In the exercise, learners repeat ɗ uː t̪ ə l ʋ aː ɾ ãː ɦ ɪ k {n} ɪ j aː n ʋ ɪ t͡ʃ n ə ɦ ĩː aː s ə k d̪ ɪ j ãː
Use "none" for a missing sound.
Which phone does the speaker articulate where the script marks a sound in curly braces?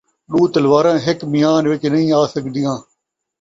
m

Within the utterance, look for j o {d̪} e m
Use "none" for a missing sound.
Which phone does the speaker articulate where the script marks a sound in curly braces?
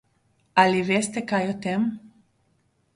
t̪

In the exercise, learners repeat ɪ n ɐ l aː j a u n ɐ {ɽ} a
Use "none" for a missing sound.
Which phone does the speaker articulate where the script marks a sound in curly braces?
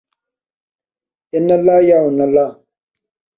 l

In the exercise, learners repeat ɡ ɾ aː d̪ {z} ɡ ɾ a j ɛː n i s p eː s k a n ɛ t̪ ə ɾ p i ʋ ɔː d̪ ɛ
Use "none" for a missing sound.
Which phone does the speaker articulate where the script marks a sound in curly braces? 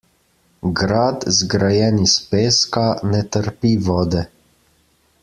z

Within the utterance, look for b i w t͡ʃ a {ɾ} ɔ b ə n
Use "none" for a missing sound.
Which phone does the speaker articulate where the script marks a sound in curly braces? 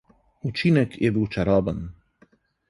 ɾ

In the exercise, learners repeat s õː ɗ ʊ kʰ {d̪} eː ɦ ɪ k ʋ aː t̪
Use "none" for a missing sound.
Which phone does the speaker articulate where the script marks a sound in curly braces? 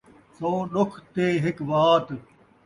t̪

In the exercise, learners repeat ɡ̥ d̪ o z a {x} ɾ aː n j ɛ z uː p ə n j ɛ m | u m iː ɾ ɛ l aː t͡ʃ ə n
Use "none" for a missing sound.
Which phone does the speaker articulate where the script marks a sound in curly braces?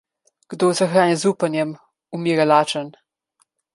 x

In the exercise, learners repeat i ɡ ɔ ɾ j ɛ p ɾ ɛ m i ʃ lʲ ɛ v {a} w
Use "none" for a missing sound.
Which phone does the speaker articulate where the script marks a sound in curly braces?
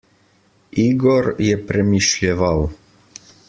a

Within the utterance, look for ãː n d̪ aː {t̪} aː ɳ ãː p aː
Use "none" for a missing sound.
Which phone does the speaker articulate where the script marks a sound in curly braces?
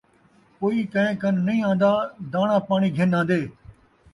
d̪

